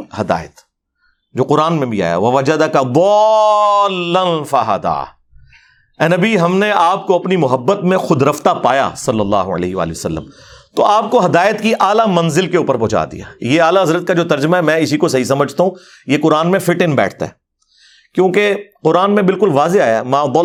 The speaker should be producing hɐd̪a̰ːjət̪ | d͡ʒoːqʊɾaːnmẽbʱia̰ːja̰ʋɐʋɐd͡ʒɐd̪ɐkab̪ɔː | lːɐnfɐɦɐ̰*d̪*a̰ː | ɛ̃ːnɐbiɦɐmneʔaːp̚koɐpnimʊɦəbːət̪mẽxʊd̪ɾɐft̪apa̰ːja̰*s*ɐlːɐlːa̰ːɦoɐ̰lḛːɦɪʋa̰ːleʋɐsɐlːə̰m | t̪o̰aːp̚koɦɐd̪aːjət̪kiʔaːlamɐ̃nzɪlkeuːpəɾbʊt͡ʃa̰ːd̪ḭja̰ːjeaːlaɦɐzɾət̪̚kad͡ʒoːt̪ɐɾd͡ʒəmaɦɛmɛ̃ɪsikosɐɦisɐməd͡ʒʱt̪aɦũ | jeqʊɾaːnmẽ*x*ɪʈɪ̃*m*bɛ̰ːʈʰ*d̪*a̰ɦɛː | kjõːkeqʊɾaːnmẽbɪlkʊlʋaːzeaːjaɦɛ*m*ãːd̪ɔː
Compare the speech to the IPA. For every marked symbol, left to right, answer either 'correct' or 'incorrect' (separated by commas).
correct, correct, incorrect, incorrect, incorrect, correct